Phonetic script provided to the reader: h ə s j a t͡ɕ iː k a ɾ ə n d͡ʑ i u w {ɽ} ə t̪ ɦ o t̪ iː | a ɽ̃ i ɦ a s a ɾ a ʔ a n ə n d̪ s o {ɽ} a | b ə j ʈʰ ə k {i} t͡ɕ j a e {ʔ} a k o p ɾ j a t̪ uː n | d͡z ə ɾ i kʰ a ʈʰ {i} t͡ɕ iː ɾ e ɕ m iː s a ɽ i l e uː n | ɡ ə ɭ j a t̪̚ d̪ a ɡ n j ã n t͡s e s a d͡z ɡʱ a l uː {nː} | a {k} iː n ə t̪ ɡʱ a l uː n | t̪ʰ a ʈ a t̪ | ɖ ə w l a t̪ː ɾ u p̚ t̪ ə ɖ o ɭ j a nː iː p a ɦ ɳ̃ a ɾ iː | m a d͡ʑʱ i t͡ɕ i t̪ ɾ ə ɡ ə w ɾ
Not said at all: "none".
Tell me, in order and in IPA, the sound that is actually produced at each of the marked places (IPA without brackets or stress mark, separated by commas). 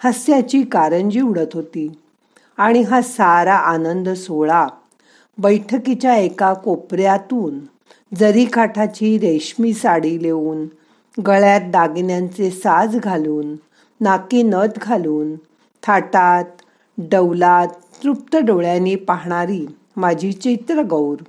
ɽ, ɭ, i, k, a, nː, k